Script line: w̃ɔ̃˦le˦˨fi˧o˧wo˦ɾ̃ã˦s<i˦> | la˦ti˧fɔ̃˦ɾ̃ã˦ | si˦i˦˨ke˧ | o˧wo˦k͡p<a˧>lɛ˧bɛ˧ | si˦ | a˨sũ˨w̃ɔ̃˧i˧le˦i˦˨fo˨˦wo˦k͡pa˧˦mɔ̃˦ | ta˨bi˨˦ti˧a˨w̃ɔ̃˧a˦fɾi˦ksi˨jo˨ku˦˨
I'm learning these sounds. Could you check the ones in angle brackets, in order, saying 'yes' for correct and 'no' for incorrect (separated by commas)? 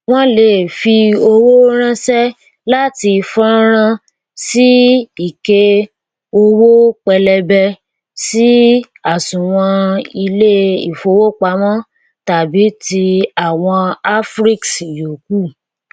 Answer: no, no